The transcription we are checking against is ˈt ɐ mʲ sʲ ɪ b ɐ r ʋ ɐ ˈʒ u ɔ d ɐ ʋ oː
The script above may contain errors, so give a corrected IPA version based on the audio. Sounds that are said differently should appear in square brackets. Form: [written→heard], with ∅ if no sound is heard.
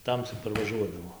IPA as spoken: ˈt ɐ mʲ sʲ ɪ [b→p] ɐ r ʋ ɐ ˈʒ u ɔ d ɐ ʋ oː